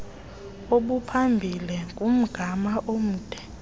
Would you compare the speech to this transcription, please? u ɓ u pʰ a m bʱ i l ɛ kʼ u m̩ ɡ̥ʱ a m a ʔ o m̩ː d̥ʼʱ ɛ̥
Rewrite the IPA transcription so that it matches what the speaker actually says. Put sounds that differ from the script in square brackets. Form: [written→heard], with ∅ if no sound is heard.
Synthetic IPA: [u→o] ɓ u pʰ a m bʱ i l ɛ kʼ u m̩ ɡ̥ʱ a m a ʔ o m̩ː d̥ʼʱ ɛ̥